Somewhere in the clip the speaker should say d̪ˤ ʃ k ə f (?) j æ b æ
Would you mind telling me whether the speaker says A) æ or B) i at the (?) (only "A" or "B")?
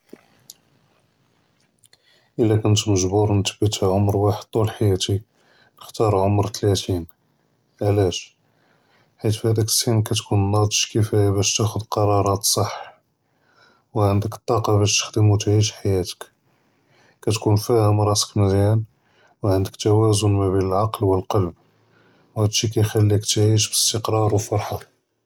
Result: A